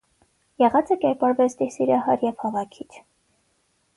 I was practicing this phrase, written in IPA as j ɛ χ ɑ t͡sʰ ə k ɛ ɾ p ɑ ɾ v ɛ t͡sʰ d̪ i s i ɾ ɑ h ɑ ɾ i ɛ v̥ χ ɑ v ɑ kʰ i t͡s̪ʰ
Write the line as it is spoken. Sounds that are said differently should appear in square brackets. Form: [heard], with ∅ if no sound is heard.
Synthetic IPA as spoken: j ɛ [ʁ] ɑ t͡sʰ ə k ɛ ɾ p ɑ ɾ v ɛ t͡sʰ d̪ i s i ɾ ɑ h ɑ ɾ [j] ɛ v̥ [h] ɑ v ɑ kʰ i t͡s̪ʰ